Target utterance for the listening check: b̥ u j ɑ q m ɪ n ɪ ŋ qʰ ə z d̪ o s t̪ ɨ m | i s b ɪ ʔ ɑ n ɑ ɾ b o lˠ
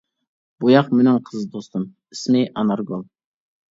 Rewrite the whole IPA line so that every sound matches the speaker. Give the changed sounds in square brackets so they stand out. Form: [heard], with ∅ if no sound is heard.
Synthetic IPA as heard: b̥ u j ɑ q m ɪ n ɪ ŋ qʰ ə z d̪ o s t̪ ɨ m | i s [m] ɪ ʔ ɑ n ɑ ɾ [ɡ] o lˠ